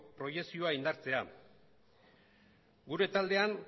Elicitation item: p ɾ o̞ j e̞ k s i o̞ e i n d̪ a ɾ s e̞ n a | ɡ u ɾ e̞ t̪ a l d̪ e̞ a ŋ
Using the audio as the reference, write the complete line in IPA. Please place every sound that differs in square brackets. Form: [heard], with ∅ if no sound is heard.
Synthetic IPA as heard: p ɾ o̞ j e̞ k s i o̞ [a] i n d̪ a ɾ [t͡s] e̞ [∅] a | ɡ u ɾ e̞ t̪ a l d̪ e̞ a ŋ